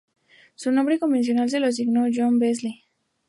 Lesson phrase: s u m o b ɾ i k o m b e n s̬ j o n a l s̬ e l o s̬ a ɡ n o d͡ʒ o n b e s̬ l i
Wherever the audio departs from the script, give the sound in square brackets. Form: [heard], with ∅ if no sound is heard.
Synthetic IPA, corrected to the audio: s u [n] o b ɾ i k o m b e n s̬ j o n a l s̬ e l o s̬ [i] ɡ n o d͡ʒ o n b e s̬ l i